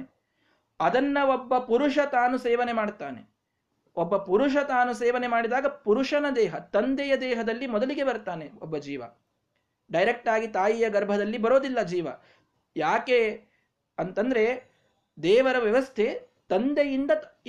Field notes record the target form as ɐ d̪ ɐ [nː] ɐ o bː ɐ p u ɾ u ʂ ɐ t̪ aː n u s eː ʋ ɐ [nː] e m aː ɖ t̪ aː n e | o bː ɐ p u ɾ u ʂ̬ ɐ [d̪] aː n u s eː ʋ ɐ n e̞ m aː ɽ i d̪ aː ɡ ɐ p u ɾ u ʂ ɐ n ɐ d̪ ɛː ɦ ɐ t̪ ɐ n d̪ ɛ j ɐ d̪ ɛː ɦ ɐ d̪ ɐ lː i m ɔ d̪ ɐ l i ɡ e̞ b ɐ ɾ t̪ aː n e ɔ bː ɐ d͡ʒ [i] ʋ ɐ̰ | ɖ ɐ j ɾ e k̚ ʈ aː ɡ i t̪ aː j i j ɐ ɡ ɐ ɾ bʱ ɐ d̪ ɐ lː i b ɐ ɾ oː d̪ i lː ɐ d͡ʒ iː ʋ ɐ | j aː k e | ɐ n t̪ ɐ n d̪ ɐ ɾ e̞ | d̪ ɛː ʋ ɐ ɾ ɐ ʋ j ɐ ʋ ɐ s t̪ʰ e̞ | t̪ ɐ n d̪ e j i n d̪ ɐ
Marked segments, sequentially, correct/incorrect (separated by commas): correct, incorrect, incorrect, incorrect